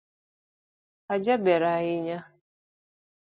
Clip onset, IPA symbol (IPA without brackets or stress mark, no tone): a